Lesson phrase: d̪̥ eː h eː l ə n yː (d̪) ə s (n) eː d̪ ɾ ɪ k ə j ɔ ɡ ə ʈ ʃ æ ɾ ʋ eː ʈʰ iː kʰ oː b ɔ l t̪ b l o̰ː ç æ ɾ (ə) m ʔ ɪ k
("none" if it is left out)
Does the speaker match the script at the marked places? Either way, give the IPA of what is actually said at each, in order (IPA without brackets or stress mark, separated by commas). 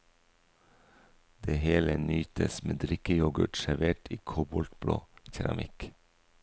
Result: t̪, m, ɑ